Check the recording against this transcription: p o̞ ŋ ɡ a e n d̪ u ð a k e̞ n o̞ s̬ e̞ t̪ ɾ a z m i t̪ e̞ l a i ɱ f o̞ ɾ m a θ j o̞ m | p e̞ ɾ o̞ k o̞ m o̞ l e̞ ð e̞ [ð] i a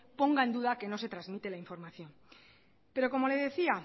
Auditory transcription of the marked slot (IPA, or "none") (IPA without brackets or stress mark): θ